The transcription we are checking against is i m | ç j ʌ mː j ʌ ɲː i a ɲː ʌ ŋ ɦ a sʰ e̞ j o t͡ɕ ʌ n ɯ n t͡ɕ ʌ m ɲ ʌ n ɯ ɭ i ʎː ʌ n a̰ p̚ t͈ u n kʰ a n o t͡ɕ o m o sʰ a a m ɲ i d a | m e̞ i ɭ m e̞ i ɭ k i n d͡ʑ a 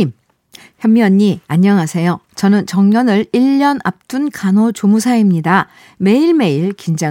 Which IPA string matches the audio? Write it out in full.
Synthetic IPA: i m | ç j ʌ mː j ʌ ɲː i a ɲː ʌ ŋ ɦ a sʰ e̞ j o t͡ɕ ʌ n ɯ n t͡ɕ ʌ ŋ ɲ ʌ n ɯ ɭ i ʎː ʌ n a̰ p̚ t͈ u n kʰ a n o t͡ɕ o m u sʰ a i m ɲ i d a | m e̞ i ɭ m e̞ i ɭ k i n d͡ʑ a